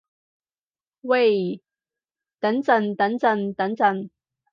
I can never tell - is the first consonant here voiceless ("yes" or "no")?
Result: no